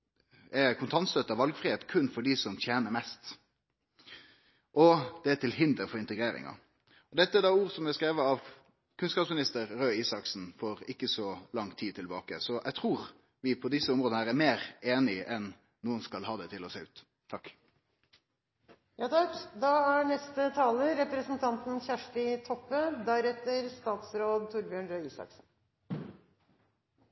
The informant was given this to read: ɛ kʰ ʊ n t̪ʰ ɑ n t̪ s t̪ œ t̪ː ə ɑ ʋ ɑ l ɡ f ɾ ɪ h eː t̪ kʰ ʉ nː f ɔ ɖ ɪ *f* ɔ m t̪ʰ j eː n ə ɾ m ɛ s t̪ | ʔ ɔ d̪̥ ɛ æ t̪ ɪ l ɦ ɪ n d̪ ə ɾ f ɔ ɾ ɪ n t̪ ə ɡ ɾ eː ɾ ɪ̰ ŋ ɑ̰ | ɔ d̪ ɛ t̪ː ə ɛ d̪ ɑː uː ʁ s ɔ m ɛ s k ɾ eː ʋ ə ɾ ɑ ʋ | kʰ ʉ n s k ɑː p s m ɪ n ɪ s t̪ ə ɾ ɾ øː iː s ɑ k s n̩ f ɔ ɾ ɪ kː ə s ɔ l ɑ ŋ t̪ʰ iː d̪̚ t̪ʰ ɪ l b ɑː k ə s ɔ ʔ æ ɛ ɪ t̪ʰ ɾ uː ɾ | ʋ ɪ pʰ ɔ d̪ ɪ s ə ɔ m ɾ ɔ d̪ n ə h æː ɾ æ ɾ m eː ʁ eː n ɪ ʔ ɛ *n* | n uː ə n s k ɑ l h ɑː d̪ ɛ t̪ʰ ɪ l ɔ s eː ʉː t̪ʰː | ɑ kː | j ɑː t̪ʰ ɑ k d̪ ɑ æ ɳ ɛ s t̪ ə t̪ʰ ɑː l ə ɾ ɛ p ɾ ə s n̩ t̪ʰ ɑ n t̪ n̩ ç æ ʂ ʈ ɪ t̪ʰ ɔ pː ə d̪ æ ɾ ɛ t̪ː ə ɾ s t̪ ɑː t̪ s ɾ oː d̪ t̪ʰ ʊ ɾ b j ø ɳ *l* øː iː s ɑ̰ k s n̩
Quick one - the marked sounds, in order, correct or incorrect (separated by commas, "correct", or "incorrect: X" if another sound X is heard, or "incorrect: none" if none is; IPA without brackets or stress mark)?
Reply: incorrect: s, correct, incorrect: ɾ